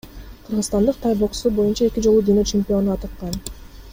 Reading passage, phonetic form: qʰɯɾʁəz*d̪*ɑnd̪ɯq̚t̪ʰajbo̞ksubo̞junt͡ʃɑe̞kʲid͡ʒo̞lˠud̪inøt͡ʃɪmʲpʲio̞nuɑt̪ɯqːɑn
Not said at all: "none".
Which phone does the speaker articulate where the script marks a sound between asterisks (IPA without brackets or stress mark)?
t̪